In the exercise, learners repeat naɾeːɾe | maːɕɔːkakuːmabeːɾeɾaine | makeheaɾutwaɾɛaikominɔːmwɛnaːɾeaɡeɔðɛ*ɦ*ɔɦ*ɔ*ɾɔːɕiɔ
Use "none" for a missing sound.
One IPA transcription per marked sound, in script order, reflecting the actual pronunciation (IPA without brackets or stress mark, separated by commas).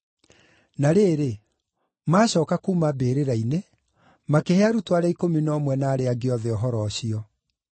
none, ɔ